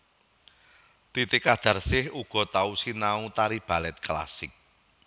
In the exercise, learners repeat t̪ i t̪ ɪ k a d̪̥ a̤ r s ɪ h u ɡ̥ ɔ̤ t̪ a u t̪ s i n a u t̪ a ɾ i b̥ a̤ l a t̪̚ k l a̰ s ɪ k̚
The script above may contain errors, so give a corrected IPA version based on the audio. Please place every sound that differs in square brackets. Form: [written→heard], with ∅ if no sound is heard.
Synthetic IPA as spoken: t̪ i t̪ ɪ k a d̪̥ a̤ r s ɪ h u ɡ̥ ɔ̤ t̪ a u [t̪→∅] s i n a u t̪ a ɾ i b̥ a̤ l [a→ɛ] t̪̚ k l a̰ s ɪ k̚